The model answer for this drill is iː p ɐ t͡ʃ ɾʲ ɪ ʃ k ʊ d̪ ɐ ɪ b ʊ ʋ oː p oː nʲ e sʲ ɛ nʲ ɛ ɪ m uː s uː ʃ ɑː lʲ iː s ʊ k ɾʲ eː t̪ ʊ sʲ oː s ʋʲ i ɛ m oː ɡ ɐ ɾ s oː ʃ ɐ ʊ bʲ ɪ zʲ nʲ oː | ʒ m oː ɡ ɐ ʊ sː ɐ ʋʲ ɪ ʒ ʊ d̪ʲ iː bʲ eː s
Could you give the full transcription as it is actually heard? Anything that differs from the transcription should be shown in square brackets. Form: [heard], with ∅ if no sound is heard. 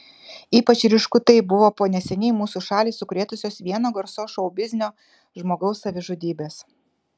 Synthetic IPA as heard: iː p ɐ t͡ʃ ɾʲ ɪ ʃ k ʊ [t̪] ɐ ɪ b ʊ ʋ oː p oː nʲ [ɛ] sʲ ɛ nʲ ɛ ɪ m uː s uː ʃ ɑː lʲ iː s ʊ k ɾʲ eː t̪ ʊ sʲ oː s ʋʲ i ɛ [n] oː ɡ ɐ ɾ s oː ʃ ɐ ʊ bʲ ɪ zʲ nʲ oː | ʒ m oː ɡ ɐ ʊ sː ɐ ʋʲ ɪ ʒ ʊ d̪ʲ iː bʲ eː s